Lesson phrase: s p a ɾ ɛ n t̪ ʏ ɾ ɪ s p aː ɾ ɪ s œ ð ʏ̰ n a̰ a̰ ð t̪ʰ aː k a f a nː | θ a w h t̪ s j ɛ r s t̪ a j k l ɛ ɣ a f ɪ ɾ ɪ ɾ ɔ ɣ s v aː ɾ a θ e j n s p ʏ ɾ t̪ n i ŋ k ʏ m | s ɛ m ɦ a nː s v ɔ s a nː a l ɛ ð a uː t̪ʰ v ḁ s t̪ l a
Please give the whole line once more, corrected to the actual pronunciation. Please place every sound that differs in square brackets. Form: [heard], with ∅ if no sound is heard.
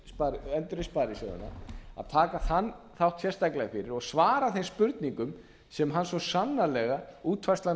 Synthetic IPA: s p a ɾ ɛ n t̪ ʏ ɾ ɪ s p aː ɾ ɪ s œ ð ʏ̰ n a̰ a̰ ð t̪ʰ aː k a [θ] a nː | θ a w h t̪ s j ɛ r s t̪ a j k l ɛ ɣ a f ɪ ɾ ɪ ɾ ɔ ɣ s v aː ɾ a θ e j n s p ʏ ɾ t̪ n i ŋ k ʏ m | s ɛ m ɦ a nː s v ɔ s a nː a l ɛ [ɣ] a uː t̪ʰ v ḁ s t̪ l a